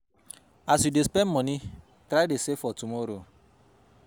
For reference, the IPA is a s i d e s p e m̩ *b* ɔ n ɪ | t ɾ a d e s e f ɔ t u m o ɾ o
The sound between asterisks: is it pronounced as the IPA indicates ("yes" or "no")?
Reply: no